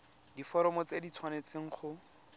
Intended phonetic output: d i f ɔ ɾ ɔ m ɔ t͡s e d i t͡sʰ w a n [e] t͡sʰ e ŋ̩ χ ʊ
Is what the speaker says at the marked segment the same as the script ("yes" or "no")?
yes